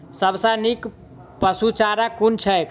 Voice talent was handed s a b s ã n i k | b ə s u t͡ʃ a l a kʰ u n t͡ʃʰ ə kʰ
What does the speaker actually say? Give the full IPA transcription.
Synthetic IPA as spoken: s ə b s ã n i k | p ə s u t͡ʃ a ɾ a k u n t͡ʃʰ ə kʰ